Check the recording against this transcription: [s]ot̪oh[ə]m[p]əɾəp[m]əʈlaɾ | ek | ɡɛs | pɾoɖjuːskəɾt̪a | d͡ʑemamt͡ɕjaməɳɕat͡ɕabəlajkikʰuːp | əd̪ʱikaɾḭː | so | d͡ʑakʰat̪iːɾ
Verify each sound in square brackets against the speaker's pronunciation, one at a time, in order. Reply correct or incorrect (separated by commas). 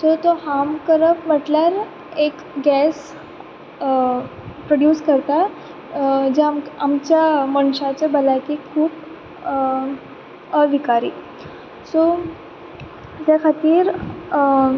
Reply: correct, incorrect, incorrect, correct